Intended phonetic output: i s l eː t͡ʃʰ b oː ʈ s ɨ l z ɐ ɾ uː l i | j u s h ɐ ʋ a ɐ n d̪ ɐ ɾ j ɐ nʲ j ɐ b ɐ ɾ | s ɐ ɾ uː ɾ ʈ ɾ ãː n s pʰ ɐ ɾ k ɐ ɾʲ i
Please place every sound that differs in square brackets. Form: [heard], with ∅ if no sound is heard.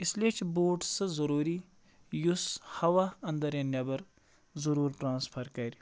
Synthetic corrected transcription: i s l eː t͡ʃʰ b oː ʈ s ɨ [∅] z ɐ ɾ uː [ɾ] i | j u s h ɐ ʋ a ɐ n d̪ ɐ ɾ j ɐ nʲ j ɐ b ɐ ɾ | [z] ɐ ɾ uː ɾ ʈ ɾ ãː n s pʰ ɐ ɾ k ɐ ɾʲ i